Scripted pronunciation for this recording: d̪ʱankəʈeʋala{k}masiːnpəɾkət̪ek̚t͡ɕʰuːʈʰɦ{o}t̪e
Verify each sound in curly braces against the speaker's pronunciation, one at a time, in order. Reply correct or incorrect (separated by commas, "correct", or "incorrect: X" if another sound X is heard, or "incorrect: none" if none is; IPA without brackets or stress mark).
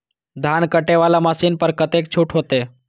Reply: incorrect: none, correct